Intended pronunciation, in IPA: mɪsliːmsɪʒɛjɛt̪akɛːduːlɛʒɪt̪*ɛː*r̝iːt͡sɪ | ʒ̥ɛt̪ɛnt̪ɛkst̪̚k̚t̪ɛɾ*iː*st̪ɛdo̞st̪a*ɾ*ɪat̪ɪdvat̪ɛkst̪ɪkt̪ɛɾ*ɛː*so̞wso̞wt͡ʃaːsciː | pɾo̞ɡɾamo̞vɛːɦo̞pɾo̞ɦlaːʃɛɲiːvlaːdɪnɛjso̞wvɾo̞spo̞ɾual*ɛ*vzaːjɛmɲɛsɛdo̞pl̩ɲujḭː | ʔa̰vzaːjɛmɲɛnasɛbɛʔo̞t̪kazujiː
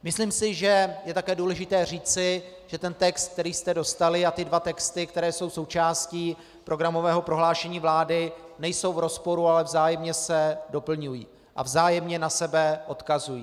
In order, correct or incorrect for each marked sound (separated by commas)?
correct, correct, incorrect, correct, correct